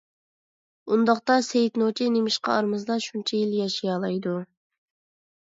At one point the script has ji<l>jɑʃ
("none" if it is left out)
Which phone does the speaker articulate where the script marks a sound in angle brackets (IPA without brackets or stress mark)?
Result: l